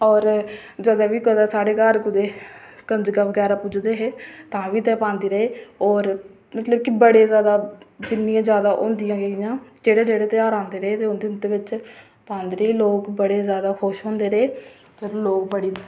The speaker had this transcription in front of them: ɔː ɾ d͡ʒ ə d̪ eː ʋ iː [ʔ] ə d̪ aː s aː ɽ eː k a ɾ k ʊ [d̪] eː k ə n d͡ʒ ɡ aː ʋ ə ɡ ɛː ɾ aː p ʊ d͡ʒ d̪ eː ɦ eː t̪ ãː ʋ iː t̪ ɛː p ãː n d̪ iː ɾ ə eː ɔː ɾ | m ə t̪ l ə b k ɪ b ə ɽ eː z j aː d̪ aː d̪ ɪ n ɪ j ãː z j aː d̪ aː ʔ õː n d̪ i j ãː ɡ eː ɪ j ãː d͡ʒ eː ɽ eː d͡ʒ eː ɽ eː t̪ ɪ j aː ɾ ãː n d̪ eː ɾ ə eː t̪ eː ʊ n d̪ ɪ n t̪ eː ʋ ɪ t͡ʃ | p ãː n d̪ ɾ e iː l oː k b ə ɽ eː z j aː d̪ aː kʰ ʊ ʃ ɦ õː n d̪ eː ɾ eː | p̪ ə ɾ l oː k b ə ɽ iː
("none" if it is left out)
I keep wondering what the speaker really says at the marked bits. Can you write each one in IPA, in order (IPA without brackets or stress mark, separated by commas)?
k, d̪